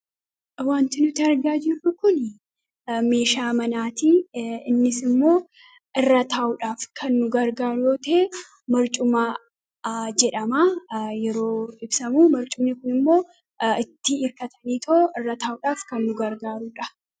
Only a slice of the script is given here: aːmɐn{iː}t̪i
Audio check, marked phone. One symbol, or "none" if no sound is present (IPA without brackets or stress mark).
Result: aː